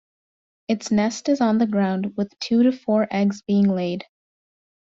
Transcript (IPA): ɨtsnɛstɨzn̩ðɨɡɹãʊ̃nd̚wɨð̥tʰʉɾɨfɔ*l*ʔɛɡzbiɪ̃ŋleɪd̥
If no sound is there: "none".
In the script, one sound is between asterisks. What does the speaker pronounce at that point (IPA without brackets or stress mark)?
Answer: ɹ